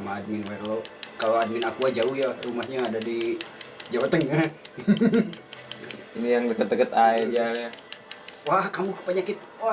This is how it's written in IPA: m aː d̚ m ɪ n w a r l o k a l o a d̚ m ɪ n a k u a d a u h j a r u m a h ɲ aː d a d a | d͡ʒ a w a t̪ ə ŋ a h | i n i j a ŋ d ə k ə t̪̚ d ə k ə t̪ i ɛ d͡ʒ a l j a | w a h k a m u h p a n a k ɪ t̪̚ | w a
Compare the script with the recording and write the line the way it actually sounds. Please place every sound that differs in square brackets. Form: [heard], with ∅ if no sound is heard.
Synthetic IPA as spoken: m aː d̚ m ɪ n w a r l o k a l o a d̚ m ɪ n a k u a [d͡ʒ] a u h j a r u m a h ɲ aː d a d [i] | d͡ʒ a w a t̪ ə ŋ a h | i n i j a ŋ d ə k ə t̪̚ d ə k ə t̪ [a] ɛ d͡ʒ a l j a | w a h k a m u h p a [ɲ] a k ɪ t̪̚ | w a